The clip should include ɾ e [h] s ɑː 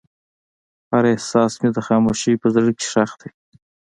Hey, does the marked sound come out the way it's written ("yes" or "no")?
yes